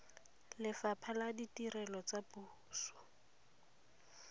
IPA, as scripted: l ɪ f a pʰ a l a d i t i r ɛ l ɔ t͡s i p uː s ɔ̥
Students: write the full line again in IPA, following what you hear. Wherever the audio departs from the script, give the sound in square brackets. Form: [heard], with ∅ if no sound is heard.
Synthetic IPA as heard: l ɪ f a pʰ a l a d i t i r ɛ l ɔ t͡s [a] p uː s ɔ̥